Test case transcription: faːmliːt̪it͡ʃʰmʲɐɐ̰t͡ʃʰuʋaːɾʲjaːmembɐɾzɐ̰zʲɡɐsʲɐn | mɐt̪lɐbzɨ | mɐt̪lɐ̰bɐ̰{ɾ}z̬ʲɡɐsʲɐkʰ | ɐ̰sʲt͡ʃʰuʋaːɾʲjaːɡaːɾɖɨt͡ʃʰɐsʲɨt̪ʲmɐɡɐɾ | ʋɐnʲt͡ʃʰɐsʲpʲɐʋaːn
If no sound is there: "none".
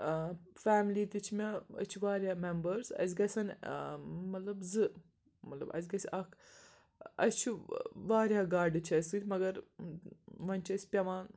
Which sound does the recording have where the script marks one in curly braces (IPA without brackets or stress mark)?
none